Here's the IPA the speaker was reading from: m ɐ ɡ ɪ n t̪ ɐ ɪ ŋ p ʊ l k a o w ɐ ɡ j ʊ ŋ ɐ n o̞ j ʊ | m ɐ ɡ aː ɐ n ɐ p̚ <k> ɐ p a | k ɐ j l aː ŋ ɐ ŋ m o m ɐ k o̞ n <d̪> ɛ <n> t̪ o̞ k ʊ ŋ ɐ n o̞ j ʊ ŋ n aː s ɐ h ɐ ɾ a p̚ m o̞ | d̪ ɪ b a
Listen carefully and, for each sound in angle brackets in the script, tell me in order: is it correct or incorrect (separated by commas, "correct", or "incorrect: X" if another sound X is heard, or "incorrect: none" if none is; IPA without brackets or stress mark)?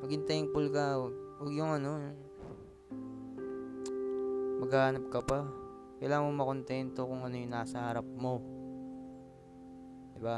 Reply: correct, incorrect: t̪, correct